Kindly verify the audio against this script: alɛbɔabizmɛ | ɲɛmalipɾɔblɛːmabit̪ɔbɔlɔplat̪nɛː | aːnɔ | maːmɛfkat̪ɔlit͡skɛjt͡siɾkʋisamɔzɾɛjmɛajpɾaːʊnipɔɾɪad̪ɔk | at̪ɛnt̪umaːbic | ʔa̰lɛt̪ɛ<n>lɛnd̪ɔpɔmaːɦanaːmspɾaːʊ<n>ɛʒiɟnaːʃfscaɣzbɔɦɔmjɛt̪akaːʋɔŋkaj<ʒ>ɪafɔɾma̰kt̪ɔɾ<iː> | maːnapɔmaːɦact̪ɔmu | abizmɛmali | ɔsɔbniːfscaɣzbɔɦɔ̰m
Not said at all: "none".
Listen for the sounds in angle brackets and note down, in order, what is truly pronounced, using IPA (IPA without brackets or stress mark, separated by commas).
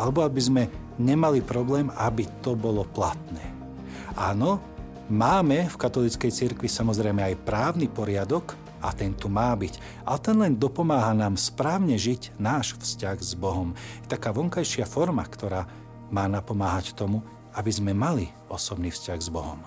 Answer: n, ɲ, ʃ, aː